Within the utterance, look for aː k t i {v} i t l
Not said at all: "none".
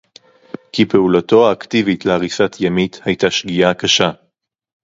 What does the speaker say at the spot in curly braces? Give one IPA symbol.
v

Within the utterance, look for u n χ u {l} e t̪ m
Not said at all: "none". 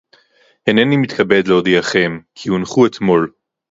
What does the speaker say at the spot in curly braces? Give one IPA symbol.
none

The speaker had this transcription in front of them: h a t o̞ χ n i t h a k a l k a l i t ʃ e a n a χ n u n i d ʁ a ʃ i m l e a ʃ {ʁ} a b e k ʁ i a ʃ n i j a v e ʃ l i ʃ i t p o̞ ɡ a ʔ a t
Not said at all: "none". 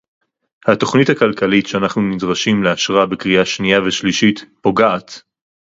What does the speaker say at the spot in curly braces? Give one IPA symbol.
ʁ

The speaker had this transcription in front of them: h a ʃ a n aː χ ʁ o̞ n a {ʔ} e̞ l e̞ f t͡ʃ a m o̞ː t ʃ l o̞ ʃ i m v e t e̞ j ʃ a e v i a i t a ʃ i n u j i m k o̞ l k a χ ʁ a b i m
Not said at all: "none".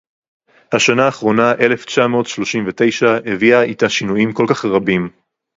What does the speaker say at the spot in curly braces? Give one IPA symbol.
ʔ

